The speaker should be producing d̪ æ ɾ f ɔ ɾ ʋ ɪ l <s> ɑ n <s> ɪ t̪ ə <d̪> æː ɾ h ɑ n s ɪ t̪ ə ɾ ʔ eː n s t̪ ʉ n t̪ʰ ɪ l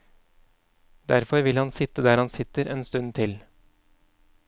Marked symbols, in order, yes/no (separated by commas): no, yes, yes